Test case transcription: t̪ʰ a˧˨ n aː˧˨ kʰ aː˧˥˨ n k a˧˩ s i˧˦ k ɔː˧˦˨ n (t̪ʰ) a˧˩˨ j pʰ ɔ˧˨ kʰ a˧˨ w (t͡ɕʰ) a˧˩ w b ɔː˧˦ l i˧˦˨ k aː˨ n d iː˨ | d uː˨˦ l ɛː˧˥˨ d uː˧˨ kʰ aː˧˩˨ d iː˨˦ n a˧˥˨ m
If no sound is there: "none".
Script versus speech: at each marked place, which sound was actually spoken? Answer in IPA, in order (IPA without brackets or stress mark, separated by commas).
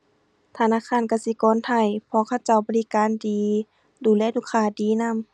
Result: t̪ʰ, t͡ɕ